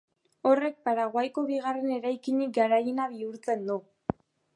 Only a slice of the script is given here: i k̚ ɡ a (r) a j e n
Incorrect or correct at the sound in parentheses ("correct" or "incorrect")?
incorrect